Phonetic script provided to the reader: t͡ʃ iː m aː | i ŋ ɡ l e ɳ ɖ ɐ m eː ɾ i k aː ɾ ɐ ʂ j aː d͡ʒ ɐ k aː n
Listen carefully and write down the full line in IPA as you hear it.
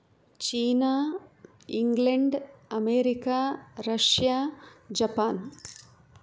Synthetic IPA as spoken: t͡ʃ iː n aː | i ŋ ɡ l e ɳ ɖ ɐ m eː ɾ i k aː ɾ ɐ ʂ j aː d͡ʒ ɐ p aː n